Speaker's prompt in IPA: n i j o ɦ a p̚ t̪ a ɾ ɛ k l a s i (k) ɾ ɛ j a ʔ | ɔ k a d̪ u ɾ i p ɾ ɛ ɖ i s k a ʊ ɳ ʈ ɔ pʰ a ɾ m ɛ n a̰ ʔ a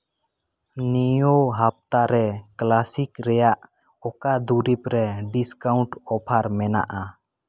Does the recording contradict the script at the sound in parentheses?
no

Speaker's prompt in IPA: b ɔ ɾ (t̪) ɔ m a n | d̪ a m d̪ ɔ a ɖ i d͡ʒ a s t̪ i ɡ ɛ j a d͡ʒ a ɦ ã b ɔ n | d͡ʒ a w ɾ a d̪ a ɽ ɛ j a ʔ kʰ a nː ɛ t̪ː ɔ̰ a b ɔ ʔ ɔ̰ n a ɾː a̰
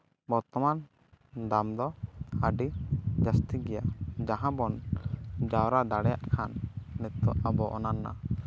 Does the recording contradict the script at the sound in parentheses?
no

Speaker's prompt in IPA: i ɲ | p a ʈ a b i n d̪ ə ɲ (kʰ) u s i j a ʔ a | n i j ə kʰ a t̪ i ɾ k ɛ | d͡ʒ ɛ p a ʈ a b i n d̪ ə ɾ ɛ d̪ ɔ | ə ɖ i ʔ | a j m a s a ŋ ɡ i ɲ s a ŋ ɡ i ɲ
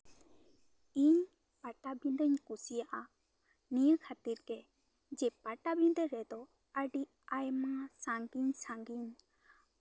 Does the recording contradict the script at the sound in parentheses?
yes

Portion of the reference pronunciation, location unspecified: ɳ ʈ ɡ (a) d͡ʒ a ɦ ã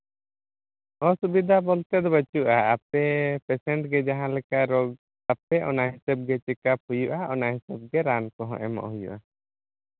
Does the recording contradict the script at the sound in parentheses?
yes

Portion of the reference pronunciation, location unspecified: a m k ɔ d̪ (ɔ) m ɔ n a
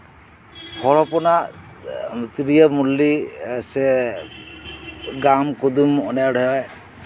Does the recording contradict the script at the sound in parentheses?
yes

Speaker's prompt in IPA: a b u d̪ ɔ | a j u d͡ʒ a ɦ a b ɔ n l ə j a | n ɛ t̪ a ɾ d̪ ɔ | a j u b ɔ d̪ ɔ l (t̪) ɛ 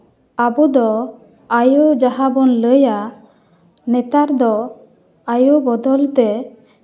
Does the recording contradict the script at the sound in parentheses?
no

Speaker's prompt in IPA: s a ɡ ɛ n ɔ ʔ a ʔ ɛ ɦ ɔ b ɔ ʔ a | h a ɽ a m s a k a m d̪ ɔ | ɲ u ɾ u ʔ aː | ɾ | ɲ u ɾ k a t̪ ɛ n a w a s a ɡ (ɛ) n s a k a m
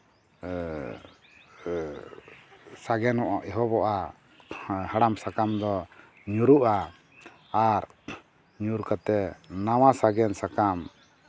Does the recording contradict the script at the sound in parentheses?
no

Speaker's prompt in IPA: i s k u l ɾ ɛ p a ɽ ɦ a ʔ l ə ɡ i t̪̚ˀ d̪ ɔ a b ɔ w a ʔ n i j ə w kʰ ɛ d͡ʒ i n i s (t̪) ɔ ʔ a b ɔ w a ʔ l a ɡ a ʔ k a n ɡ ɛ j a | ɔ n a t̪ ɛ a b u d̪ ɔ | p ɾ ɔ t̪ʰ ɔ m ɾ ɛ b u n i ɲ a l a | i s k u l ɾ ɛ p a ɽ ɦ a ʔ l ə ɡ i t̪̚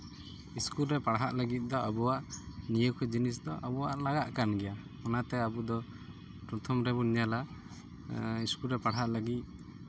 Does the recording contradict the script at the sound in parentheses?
yes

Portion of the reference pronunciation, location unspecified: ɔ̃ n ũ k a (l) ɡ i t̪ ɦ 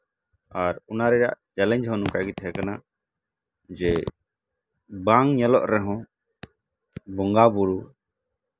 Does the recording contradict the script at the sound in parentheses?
yes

